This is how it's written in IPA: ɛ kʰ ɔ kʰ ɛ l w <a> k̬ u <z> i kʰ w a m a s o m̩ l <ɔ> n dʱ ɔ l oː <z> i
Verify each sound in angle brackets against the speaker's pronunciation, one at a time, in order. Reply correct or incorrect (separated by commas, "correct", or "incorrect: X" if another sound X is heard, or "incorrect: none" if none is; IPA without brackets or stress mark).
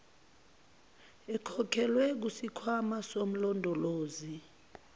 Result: incorrect: ɛ, incorrect: s, correct, correct